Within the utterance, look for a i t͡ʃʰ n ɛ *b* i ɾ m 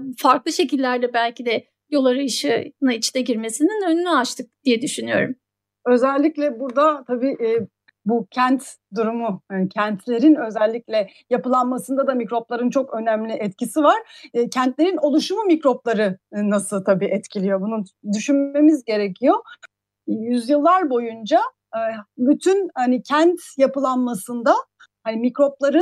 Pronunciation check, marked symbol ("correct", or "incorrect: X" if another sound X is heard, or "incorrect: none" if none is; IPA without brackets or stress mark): incorrect: ɟ